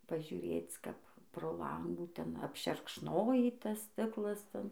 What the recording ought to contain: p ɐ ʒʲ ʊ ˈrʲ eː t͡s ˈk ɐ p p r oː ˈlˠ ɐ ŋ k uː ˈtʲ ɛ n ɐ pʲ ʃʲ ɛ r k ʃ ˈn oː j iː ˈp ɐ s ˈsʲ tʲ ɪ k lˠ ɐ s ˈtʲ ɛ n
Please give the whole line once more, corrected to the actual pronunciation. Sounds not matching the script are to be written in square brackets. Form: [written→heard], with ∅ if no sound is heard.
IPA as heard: p ɐ ʒʲ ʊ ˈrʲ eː t͡s ˈk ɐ p p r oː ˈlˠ ɐ ŋ [k→ɡ] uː ˈtʲ ɛ n ɐ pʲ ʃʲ ɛ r k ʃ ˈn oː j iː [ˈp→ˈt] ɐ s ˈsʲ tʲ ɪ k lˠ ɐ s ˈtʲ ɛ n